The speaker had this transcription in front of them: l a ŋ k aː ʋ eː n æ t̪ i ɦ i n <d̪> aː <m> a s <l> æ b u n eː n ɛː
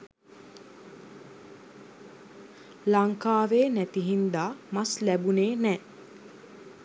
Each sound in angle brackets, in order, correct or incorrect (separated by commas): correct, correct, correct